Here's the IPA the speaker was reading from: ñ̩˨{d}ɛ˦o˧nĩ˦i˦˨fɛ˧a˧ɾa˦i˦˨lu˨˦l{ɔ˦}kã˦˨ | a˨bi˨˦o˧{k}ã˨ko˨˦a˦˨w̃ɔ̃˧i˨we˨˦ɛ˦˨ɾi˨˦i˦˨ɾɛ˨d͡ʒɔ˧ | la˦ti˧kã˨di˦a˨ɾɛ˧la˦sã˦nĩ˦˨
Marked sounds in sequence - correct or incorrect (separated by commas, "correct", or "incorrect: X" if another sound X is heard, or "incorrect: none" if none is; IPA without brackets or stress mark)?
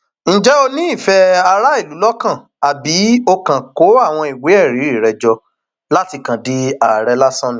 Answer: incorrect: d͡ʒ, correct, correct